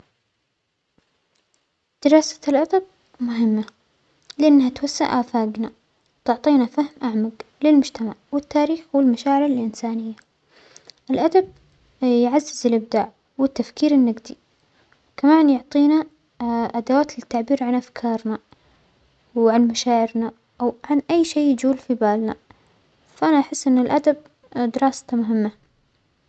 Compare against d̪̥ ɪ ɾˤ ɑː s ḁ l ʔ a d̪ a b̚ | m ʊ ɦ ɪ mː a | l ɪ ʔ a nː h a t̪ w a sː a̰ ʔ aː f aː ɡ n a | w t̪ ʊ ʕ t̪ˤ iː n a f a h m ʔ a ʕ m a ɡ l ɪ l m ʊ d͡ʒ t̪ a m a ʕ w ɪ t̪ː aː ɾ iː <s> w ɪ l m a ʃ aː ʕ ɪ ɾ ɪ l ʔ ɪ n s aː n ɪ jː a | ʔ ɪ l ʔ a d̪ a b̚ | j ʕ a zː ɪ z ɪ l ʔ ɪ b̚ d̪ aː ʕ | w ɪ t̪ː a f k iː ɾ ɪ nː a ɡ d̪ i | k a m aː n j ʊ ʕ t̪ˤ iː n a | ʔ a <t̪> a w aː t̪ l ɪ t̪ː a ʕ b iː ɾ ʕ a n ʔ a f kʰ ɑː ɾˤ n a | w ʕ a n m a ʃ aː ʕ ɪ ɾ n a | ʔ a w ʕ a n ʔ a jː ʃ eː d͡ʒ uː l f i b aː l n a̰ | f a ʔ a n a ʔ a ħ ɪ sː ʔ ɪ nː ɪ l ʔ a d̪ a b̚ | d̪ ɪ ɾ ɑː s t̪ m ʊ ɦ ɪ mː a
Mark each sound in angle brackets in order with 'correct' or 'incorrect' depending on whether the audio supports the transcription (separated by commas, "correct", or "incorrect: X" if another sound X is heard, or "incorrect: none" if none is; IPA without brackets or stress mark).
incorrect: x, incorrect: d̪